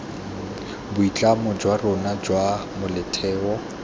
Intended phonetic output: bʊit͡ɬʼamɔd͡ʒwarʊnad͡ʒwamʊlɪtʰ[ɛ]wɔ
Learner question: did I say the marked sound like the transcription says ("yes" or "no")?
no